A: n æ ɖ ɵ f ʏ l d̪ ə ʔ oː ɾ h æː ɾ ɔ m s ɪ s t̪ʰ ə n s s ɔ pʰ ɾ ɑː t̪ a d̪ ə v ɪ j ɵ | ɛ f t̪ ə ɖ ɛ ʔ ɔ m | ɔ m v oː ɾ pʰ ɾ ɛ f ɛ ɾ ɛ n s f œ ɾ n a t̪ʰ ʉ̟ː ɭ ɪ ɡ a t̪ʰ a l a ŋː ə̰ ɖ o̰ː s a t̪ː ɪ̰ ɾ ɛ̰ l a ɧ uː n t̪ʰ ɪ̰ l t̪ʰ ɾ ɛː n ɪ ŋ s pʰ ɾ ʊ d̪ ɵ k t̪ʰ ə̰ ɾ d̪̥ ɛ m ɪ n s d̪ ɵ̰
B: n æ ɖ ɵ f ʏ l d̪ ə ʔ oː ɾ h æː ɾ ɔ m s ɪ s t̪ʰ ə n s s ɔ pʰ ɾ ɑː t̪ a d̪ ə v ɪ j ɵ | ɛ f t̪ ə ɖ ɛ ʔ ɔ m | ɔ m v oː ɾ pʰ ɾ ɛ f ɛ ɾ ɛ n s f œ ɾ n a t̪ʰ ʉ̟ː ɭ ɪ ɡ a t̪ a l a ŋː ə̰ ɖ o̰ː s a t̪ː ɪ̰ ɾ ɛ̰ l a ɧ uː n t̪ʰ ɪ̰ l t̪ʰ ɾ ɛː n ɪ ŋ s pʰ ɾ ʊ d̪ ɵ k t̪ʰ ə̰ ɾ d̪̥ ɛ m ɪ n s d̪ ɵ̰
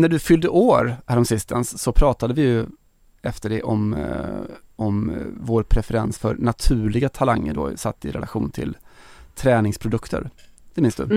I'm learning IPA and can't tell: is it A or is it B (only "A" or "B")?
A